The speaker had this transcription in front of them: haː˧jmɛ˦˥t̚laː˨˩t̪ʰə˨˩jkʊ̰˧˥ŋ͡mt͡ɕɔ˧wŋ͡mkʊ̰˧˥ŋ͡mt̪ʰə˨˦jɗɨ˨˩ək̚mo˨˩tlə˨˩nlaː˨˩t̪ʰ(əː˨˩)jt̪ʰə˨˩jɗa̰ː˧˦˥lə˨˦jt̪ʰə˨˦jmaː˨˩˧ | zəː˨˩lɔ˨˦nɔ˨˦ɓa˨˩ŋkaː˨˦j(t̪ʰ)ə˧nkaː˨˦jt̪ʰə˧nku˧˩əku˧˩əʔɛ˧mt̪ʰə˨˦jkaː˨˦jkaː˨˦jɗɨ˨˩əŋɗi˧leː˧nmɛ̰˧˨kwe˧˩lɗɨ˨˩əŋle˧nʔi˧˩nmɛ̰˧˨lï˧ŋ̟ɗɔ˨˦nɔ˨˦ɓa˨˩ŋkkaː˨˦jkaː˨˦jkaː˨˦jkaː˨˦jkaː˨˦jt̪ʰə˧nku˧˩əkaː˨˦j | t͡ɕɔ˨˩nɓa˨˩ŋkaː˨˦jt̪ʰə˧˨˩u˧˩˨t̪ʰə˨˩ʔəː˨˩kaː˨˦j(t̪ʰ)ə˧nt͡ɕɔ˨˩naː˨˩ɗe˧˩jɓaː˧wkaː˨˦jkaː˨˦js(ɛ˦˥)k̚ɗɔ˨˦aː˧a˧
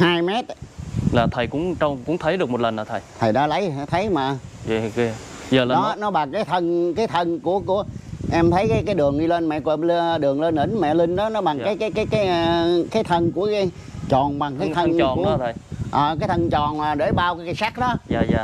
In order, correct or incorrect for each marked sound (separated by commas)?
incorrect, correct, correct, incorrect